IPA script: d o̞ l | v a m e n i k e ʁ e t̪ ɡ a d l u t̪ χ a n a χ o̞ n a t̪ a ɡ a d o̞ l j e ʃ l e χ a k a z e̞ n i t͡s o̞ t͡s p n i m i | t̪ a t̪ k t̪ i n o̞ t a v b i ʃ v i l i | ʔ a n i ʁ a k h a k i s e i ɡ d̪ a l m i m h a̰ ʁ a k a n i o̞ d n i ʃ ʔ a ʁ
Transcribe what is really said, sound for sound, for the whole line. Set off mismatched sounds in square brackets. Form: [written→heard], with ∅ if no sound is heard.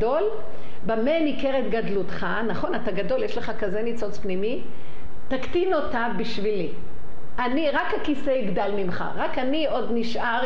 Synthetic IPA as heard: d o̞ l | [v→b] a m e n i k e ʁ e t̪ ɡ a d l u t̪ χ a n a χ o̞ n a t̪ a ɡ a d o̞ l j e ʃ l e χ a k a z e̞ n i t͡s o̞ t͡s p n i m i | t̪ a [t̪→∅] k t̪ i n o̞ t a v b i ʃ v i l i | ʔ a n i ʁ a k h a k i s e i ɡ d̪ a l m i m [h→χ] a̰ ʁ a k a n i o̞ d n i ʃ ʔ a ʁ